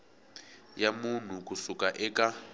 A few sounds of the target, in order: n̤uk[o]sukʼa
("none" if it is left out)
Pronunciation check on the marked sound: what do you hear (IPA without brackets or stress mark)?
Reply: u